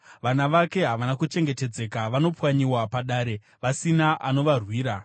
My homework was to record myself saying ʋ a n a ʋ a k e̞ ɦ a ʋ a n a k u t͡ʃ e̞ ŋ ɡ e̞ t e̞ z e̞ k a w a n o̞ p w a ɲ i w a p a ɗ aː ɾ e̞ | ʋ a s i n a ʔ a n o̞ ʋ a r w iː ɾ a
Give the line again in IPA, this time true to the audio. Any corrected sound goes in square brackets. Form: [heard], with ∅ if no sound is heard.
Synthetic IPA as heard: ʋ a n a ʋ a k e̞ ɦ a ʋ a n a k u t͡ʃ e̞ ŋ ɡ e̞ t e̞ [d͡z] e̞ k a [ʋ] a n o̞ p w a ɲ i w a p a ɗ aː ɾ e̞ | ʋ a s i n a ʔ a n o̞ ʋ a r w iː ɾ a